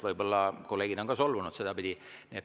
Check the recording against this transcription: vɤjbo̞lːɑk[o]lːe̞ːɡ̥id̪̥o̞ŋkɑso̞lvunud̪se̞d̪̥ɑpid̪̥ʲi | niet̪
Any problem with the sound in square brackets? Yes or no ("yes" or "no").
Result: no